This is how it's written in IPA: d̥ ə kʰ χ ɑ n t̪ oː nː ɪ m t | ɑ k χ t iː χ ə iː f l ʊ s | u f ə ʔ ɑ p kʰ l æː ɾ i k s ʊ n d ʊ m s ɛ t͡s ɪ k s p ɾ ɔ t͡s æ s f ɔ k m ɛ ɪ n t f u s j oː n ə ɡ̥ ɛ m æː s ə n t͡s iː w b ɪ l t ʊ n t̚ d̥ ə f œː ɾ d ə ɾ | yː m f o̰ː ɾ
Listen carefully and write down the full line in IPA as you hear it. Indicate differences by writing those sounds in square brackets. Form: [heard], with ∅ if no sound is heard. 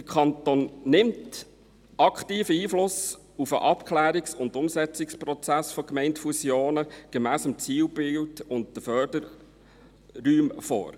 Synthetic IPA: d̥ ə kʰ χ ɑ n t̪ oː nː ɪ m t | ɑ k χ t iː [f] ə iː f l ʊ s | u f ə ʔ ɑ p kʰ l æː ɾ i k s ʊ n d ʊ m s ɛ t͡s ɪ k s p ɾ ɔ t͡s æ s f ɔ k m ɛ ɪ n t f u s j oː n ə ɡ̥ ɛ m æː s ə [m] t͡s iː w b ɪ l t ʊ n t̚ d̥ ə f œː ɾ d ə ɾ | yː m f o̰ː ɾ

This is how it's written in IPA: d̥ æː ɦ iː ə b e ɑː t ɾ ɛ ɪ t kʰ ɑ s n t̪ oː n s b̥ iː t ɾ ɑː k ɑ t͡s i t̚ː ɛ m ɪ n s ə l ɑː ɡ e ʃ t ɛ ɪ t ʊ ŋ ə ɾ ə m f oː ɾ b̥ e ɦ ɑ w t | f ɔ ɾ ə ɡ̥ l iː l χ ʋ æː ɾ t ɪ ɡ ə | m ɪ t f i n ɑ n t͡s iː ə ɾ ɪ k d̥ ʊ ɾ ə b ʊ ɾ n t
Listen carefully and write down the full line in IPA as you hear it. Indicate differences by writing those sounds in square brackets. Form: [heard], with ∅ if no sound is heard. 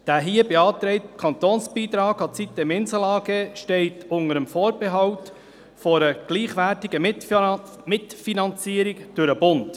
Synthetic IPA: d̥ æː ɦ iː ə b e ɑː t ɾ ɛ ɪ t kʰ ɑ [∅] n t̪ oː n s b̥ iː t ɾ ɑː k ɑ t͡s i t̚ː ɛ m ɪ n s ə l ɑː ɡ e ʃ t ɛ ɪ t ʊ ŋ ə ɾ ə m f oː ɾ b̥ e ɦ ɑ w t | f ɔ ɾ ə ɡ̥ l iː [∅] χ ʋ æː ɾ t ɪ ɡ ə | m ɪ t f i n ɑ n t͡s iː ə ɾ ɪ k d̥ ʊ ɾ ə b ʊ [∅] n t

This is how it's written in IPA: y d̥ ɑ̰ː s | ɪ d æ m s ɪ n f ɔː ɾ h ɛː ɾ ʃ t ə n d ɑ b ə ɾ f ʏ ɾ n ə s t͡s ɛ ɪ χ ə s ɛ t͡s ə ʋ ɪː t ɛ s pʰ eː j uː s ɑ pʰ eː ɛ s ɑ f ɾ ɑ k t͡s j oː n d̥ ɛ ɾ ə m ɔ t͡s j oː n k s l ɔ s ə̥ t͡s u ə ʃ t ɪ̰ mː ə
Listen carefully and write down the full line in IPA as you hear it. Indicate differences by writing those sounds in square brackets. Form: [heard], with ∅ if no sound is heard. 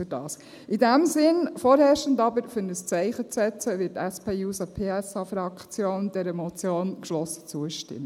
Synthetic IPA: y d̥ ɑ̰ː s | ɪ d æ m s ɪ n f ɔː ɾ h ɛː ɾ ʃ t ə n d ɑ b ə ɾ f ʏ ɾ n ə s t͡s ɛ ɪ χ ə [t͡s] ɛ t͡s ə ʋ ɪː t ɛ s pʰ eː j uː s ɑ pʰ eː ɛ s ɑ f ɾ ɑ k t͡s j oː n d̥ ɛ ɾ ə m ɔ t͡s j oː n k [ʃ] l ɔ s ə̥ t͡s u ə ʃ t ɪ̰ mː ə

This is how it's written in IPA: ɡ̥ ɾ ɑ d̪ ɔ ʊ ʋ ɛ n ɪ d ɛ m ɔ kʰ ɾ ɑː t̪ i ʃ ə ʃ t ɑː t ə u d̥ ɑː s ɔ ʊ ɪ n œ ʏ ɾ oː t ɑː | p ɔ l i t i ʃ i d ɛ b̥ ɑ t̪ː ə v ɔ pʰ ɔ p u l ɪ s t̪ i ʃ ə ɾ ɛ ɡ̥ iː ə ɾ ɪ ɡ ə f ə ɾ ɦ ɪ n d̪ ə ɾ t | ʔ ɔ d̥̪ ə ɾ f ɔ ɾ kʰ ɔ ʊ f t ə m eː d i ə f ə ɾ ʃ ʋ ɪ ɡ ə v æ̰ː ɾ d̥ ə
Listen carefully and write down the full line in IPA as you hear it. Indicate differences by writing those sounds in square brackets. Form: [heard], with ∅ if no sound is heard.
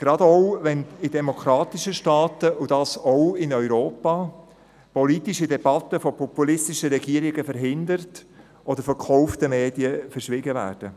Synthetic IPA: ɡ̥ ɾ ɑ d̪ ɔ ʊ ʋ ɛ n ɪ d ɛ m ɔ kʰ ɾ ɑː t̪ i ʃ ə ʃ t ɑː t ə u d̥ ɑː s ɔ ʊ ɪ n œ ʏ ɾ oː [p] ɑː | p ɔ l i t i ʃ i d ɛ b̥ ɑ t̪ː ə [f] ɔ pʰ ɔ p u l ɪ s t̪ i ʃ ə ɾ ɛ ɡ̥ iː ə ɾ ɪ ɡ ə f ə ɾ ɦ ɪ n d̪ ə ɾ t | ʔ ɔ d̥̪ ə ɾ f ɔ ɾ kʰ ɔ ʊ f t ə m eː d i ə f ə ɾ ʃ ʋ ɪ ɡ ə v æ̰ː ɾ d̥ ə

